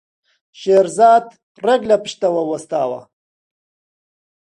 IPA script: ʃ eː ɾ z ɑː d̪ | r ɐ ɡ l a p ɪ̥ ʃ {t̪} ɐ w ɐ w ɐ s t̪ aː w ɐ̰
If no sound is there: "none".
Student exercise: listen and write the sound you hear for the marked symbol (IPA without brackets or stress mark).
t̪